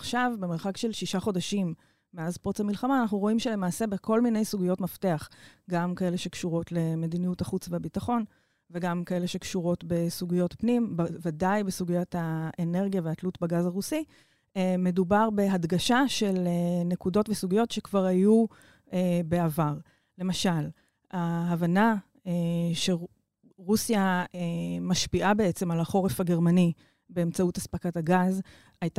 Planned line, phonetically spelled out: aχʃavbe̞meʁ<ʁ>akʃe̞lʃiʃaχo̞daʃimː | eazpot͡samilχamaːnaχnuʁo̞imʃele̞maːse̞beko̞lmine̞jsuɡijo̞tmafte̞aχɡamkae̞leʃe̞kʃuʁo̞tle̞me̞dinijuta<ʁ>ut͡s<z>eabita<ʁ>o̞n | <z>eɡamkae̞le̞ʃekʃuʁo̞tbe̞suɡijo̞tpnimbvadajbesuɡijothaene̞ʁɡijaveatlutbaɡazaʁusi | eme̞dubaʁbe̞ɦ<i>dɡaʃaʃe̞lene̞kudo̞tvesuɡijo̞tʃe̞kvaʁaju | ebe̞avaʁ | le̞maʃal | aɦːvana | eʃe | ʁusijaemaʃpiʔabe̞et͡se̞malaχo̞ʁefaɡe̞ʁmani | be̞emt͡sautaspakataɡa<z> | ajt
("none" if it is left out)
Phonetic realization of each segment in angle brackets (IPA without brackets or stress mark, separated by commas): χ, χ, v, χ, v, a, z